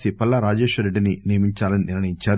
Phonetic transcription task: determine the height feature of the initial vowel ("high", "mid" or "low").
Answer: high